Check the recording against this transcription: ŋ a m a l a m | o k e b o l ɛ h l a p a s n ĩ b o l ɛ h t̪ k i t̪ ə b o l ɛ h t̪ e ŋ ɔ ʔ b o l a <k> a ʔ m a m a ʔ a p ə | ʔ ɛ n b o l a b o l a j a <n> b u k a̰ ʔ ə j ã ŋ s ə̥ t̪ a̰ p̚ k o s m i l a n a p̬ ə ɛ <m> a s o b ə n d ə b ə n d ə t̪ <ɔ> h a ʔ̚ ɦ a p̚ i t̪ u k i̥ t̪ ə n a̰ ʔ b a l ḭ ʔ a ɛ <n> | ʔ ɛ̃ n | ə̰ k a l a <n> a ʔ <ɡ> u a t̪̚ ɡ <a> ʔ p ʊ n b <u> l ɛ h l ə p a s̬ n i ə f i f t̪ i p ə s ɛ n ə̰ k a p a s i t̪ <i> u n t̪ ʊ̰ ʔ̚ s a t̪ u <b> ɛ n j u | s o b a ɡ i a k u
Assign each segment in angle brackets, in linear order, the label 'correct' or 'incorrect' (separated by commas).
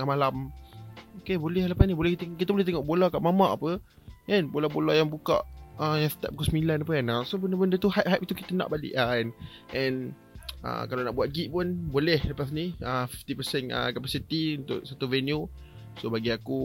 correct, incorrect, incorrect, incorrect, correct, correct, incorrect, incorrect, incorrect, correct, incorrect